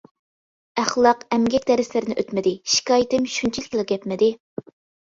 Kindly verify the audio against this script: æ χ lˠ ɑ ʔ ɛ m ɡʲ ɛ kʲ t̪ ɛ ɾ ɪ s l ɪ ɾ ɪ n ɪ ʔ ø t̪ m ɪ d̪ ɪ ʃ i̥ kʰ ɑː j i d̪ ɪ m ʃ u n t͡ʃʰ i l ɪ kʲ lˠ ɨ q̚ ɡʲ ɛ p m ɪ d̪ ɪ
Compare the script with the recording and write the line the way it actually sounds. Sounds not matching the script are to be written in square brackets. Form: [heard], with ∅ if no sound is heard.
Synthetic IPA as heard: æ χ lˠ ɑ [q] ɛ m ɡʲ ɛ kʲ [d̪] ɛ ɾ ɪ s l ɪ ɾ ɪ n ɪ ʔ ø t̪ m ɪ d̪ ɪ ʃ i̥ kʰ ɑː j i [t̪] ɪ m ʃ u n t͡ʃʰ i l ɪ kʲ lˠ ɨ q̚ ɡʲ ɛ p m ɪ d̪ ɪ

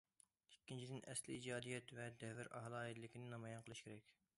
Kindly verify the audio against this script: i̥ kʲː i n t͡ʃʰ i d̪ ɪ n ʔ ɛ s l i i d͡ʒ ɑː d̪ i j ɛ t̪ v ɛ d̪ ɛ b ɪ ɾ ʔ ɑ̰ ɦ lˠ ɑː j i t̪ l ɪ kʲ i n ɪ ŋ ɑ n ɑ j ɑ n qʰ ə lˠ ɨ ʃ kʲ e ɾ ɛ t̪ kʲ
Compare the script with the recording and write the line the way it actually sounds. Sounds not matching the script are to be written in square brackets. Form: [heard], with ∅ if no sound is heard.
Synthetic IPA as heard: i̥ kʲː i n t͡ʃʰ i d̪ ɪ n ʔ ɛ s l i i d͡ʒ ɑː d̪ i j ɛ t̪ v ɛ d̪ ɛ [v] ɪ ɾ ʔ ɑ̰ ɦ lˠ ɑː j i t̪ l ɪ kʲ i n ɪ [n] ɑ [m] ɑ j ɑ n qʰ ə lˠ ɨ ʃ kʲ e ɾ ɛ [∅] kʲ

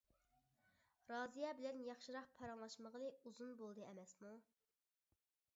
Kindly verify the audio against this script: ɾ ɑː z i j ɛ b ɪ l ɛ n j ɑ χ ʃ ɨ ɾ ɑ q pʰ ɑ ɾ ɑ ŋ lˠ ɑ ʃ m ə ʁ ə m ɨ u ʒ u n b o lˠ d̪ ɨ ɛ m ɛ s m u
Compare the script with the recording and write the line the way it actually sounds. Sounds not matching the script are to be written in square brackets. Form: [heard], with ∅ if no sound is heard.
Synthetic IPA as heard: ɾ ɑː z i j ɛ b ɪ l ɛ n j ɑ χ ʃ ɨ ɾ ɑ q pʰ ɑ ɾ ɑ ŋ lˠ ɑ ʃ m ə ʁ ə [n] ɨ u [z] u n b o lˠ d̪ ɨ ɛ m ɛ s m u

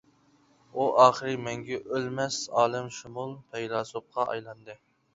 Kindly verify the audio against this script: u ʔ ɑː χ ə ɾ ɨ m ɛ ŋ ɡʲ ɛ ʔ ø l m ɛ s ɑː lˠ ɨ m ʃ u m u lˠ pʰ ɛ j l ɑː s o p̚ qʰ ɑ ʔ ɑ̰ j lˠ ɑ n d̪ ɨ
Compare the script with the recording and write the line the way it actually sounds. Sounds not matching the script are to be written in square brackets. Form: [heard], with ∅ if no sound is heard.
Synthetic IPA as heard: u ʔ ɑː χ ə ɾ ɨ m ɛ ŋ ɡʲ ɛ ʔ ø l m ɛ s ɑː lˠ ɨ m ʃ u m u lˠ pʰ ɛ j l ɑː s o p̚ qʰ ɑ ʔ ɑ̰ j lˠ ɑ n d̪ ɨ

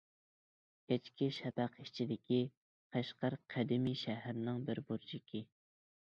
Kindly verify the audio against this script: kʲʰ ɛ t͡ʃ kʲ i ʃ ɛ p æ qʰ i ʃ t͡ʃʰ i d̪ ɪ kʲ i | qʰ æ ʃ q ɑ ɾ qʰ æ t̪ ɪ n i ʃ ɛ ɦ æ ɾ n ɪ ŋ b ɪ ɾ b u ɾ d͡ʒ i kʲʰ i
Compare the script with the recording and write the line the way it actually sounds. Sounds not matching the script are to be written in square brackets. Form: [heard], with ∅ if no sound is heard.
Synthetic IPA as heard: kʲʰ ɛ t͡ʃ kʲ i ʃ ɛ p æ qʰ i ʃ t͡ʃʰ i d̪ ɪ kʲ i | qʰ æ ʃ q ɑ ɾ qʰ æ [d̪] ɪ [m] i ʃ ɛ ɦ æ ɾ n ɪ ŋ b ɪ ɾ b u ɾ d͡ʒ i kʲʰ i

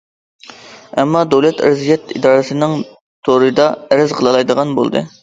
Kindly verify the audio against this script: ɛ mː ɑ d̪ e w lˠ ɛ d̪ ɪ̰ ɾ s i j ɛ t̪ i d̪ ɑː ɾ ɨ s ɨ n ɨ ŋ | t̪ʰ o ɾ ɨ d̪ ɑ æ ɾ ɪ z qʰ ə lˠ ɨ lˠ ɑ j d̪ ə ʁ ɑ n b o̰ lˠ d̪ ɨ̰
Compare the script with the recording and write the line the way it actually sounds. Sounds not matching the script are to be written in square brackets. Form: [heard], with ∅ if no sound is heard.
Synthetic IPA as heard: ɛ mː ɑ d̪ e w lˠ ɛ [t̪] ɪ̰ ɾ [z] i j ɛ t̪ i d̪ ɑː ɾ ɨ s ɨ n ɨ ŋ | t̪ʰ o ɾ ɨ d̪ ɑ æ ɾ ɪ z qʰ ə lˠ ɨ lˠ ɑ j d̪ ə ʁ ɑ n b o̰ lˠ d̪ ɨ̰

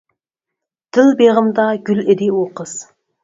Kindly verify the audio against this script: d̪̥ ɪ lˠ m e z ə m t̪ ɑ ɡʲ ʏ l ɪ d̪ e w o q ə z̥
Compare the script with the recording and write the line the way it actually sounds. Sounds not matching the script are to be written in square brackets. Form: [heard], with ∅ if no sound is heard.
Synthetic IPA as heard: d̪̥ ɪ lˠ [b] e [ʁ] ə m [d̪] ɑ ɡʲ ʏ l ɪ d̪ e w o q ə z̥

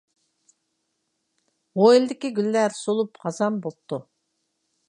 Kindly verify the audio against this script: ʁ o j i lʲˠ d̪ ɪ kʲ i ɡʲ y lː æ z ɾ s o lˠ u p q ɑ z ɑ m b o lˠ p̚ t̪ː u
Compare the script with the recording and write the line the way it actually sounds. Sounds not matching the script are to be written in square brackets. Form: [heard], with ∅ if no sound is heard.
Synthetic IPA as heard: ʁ o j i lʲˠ d̪ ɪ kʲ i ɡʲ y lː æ [∅] ɾ s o lˠ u p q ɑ z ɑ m b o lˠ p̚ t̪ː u

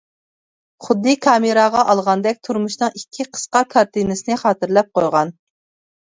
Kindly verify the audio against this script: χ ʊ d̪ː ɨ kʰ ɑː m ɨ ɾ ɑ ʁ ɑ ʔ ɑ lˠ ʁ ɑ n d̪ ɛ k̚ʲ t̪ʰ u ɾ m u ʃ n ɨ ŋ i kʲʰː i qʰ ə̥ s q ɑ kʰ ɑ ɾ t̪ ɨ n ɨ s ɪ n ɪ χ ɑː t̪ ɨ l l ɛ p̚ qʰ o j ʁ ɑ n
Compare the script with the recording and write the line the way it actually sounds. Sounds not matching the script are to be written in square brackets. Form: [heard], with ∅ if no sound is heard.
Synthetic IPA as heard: χ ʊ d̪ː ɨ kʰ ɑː m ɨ ɾ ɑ ʁ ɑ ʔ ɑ lˠ ʁ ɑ n d̪ ɛ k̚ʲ t̪ʰ u ɾ m u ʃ n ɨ ŋ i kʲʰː i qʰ ə̥ s q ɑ kʰ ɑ ɾ t̪ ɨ n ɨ s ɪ n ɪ χ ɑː t̪ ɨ [ɾ] l ɛ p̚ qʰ o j ʁ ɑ n

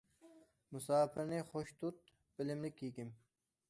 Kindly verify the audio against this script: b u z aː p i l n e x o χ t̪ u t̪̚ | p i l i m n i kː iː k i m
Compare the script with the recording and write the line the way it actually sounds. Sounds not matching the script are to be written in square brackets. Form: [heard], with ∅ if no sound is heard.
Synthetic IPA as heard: [m] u [s] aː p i [ɾ] n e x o [ɕ] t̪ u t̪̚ | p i l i m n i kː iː k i m

